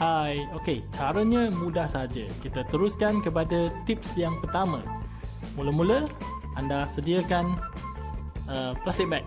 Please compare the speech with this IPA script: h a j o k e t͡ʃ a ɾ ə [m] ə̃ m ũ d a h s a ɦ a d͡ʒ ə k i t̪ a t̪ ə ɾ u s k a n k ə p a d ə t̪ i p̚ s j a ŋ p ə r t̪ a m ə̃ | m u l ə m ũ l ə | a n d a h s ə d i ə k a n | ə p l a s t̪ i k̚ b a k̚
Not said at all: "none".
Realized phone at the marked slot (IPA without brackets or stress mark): ɲ